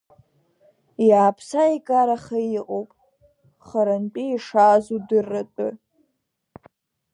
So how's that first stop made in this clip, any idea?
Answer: aspirated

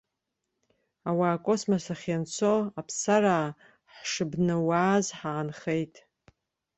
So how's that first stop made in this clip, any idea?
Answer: ejective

